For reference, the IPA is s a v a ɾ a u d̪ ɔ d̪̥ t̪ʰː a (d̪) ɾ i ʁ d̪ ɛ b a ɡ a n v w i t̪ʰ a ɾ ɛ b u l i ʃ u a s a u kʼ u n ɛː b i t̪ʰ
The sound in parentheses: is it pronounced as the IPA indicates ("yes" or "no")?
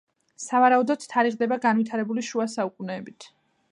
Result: no